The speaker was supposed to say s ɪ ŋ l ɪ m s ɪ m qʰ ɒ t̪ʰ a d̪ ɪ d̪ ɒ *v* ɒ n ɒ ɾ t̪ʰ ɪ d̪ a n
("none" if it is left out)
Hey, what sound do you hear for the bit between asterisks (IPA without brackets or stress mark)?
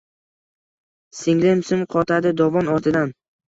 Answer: v